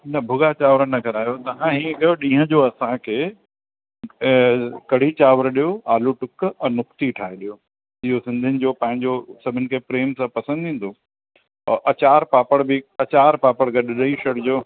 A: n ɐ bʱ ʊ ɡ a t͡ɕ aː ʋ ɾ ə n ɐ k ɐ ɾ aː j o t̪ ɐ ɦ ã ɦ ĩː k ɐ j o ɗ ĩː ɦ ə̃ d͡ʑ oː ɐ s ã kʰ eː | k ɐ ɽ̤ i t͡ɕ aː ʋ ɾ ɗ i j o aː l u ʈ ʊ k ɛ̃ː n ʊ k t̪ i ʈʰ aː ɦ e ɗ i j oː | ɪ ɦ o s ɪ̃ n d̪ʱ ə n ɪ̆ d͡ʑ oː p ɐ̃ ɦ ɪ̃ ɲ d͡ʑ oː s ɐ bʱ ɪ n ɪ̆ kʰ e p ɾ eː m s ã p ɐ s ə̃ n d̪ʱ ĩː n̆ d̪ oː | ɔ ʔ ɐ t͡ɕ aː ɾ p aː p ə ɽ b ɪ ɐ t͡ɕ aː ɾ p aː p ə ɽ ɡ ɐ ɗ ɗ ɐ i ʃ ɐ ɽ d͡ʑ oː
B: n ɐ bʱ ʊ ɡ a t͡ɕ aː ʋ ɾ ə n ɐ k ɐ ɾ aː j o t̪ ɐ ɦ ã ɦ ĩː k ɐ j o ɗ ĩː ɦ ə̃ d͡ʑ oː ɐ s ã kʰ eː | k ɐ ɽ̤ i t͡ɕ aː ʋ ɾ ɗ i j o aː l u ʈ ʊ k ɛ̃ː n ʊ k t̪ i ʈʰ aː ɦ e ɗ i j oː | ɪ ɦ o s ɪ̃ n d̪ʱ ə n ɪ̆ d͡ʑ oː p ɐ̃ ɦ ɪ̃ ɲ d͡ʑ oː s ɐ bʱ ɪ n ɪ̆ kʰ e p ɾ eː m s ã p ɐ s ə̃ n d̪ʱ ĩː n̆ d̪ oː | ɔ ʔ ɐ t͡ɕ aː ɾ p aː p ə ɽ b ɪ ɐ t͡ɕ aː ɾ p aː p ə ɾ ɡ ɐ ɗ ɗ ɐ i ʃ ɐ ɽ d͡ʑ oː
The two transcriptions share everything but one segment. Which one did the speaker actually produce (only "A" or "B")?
A